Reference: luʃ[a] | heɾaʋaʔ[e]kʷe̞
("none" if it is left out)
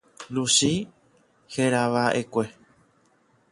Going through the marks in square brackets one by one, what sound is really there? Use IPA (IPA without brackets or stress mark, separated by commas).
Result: i, e